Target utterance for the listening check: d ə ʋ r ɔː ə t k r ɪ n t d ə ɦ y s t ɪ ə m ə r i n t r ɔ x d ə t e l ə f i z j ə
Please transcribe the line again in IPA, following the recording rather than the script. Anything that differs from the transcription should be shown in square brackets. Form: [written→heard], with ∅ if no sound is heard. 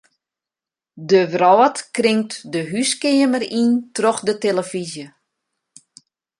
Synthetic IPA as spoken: d ə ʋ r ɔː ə t k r ɪ [n→ŋ] t d ə ɦ y s [t→k] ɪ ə m ə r i n t r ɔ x d ə t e l ə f i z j ə